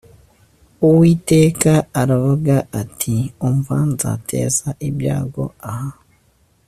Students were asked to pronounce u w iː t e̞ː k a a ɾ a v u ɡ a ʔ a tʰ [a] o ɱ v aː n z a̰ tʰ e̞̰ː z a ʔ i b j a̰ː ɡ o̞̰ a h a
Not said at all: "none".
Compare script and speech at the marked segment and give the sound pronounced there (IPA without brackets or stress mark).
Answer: i